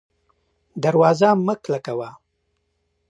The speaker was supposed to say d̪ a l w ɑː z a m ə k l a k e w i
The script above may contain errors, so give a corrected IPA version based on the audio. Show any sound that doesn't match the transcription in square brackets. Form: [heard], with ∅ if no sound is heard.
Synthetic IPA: d̪ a [ɾ] w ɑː z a m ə k l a k [a] w [a]